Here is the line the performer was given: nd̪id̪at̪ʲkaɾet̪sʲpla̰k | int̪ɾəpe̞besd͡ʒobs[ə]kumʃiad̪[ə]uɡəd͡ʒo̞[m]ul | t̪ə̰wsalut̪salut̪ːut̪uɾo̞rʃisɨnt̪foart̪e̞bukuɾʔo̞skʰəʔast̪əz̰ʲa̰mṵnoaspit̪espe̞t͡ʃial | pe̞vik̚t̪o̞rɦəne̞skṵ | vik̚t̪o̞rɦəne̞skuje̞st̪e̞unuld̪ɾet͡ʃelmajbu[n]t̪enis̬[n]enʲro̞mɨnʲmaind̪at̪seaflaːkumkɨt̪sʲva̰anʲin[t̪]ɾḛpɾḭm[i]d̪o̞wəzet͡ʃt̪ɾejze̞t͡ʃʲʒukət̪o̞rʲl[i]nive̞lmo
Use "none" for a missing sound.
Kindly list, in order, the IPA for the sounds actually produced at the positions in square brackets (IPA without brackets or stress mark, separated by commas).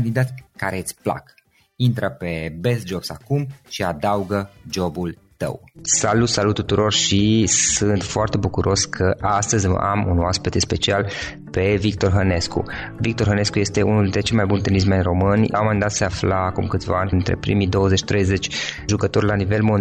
a, a, b, n, m, t̪, i, a